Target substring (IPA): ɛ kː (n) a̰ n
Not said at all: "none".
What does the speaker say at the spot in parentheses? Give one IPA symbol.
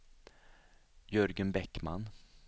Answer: m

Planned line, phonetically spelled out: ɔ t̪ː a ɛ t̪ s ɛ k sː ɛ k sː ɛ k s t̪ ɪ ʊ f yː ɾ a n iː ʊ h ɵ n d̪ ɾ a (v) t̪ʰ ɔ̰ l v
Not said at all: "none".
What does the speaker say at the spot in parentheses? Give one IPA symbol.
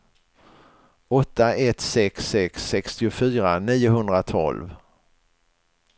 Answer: none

